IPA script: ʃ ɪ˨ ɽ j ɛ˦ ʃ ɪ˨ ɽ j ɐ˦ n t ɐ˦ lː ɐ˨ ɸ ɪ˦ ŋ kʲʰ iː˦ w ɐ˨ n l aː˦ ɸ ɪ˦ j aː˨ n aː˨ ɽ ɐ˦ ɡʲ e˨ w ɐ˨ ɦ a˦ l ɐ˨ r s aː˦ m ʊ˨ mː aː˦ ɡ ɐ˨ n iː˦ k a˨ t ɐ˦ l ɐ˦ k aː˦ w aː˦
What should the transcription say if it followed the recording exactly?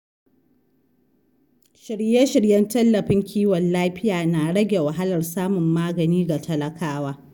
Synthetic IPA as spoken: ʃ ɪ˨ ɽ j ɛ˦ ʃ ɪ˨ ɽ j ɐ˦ n t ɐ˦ lː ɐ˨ ɸ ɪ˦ ŋ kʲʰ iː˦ w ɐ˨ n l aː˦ ɸ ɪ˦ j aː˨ n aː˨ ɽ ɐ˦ ɡʲ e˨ w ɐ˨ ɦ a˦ l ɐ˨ r s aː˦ m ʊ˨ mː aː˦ ɡ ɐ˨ n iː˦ ɡ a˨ t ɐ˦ l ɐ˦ k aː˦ w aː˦